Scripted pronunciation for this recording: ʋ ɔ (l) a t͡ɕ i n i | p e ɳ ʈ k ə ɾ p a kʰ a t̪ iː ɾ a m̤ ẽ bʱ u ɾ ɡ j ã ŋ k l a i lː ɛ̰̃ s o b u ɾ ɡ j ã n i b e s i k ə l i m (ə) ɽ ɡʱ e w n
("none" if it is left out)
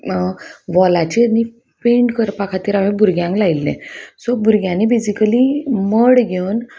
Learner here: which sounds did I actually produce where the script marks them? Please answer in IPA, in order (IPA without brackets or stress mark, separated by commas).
l, ə